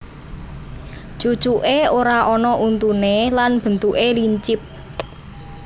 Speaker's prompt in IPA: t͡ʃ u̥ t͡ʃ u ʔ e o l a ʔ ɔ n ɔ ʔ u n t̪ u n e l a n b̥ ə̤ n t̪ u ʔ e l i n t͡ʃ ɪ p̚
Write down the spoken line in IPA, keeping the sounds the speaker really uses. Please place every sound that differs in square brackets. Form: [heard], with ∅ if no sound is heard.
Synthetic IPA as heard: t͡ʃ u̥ t͡ʃ u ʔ e o [ɾ] a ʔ ɔ n ɔ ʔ u n t̪ u n e l a n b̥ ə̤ n t̪ u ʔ e l i [ɲ] t͡ʃ ɪ p̚